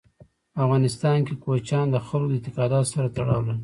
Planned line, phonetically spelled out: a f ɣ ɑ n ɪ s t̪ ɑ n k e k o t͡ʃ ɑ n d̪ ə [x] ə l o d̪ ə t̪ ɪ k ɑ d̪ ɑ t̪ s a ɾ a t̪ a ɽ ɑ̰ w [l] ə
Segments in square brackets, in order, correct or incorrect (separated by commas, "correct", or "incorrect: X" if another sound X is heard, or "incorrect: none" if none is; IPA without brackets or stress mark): correct, correct